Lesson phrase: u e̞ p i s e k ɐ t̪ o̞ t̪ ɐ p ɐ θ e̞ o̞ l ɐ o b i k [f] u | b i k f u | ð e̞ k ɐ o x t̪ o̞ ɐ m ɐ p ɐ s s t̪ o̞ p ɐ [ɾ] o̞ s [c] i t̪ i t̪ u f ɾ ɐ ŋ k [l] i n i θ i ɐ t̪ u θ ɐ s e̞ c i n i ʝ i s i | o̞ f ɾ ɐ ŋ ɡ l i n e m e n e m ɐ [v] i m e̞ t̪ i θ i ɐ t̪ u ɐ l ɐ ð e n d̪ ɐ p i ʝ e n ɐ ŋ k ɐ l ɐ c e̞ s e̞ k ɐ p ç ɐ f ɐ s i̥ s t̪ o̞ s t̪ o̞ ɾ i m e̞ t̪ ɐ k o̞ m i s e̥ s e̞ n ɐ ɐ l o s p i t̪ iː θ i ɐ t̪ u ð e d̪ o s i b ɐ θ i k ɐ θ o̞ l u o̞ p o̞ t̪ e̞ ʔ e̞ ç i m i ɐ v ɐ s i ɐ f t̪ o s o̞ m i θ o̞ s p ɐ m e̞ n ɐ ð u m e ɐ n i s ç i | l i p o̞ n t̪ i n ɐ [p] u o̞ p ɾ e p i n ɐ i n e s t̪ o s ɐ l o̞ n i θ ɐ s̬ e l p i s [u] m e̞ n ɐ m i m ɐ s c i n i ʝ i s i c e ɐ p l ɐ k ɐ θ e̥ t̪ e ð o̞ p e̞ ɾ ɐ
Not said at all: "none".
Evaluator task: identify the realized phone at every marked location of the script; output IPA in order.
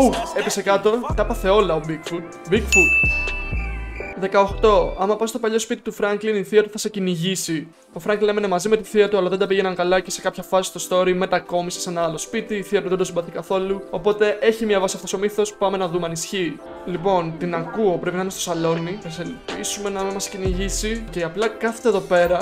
f, ʎ, p, l, z, k, u

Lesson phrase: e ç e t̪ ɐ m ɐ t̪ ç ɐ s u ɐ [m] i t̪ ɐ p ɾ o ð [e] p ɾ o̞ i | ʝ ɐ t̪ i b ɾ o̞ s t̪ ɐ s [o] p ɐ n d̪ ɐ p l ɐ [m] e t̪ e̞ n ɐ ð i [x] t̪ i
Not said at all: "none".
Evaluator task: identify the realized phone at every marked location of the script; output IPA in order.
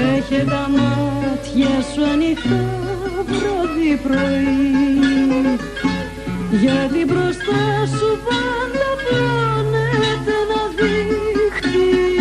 n, i, u, n, x

